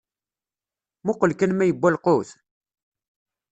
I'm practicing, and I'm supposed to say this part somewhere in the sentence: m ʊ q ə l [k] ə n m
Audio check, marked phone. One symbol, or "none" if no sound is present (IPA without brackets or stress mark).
k